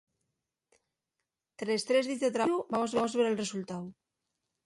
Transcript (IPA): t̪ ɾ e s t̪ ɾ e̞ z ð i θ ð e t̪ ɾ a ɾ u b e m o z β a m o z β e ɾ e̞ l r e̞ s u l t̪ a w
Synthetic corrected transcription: t̪ ɾ e s t̪ ɾ e̞ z ð i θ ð e t̪ ɾ a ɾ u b a m o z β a m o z β e ɾ e̞ l r e̞ s u l t̪ a w